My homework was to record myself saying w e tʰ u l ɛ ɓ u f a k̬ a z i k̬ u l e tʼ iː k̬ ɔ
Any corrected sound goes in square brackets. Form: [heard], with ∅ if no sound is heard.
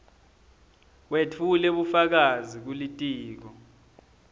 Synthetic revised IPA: w e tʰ u l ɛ ɓ u f a k̬ a z i k̬ u l [i] tʼ iː k̬ ɔ

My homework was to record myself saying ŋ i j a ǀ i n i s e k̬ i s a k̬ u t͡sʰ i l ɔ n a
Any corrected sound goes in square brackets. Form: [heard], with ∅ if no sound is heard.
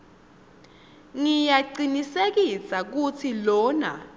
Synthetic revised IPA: ŋ i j a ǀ i n i s e k̬ i s a k̬ u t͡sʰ i l [ɔː] n a

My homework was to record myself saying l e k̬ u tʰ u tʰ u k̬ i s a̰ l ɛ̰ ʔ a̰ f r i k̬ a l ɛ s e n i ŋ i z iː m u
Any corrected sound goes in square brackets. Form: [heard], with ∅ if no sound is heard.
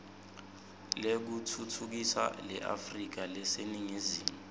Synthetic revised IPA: l e k̬ u tʰ u tʰ u k̬ i s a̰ l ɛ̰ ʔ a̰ f r i k̬ a l ɛ s e n i ŋ i z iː m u

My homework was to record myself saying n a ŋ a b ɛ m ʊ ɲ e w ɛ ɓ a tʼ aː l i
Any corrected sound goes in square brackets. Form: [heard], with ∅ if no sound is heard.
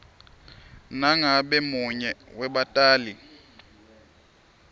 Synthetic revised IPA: n a ŋ a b ɛ m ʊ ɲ [ɛ] w ɛ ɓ a tʼ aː l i

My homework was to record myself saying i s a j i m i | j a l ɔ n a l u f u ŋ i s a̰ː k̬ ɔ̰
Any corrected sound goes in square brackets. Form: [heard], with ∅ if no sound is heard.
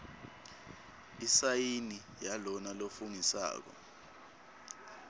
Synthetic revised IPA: i s a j i [n] i | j a l ɔ n a l [o] f u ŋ i s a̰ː k̬ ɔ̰

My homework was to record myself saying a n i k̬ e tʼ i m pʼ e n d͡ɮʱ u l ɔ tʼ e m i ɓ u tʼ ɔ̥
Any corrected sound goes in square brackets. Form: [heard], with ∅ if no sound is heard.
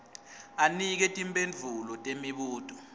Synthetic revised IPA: a n i k̬ [ɛ] tʼ i m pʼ e n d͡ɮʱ u l ɔ tʼ e m i ɓ [uː] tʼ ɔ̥

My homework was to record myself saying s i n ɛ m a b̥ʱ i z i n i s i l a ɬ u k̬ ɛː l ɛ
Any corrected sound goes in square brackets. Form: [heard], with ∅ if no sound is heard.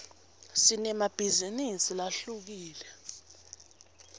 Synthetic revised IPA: s i n ɛ m a b̥ʱ i z i n i s i l a ɬ u k̬ [iː] l ɛ

